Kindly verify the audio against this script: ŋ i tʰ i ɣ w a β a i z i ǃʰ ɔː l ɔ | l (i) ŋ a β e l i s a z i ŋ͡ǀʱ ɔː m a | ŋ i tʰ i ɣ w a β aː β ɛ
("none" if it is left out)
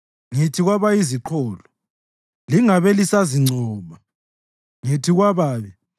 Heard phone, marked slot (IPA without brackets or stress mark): i